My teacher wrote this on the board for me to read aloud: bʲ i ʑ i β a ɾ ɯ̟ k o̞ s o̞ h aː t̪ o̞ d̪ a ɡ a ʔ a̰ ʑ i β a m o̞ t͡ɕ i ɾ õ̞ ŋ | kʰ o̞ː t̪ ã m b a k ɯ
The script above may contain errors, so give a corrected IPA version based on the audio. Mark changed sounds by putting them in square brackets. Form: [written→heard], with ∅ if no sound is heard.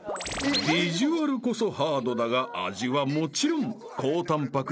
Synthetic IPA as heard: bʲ i ʑ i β a ɾ ɯ̟ k o̞ s o̞ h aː [t̪→d̪] o̞ d̪ a ɡ a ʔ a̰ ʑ i β a m o̞ t͡ɕ i ɾ õ̞ ŋ | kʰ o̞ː t̪ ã m [b→p] a k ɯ